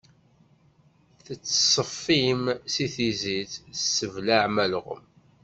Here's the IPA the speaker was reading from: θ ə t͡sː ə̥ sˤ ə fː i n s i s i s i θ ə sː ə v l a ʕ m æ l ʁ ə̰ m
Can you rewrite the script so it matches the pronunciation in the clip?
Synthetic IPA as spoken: θ ə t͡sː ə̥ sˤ ə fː i m s i θ i z i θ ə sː ə v l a ʕ m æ l ʁ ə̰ m